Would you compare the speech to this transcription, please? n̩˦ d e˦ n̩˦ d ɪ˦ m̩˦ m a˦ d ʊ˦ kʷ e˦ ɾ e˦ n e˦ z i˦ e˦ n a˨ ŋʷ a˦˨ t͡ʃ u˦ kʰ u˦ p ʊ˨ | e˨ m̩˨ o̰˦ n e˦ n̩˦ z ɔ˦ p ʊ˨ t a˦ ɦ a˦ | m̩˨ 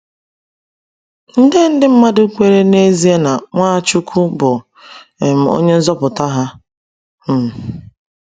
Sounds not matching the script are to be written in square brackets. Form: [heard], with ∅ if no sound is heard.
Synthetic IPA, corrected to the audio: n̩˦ d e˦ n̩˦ d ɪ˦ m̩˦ m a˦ d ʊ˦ kʷ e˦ ɾ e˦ n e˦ z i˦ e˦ n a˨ ŋʷ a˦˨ t͡ʃ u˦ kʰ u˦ [b] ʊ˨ | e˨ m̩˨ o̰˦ [ɲ] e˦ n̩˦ z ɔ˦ p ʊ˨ t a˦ ɦ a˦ | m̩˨